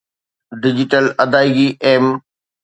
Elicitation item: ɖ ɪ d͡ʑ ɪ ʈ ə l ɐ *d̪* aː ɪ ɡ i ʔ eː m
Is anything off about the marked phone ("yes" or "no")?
no